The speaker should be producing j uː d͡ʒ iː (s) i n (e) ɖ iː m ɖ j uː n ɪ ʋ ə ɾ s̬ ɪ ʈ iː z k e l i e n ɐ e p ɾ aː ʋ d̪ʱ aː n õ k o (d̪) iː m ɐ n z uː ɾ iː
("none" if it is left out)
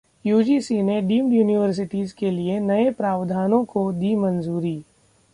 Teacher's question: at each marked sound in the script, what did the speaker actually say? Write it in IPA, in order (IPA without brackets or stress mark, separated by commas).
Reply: s, e, d̪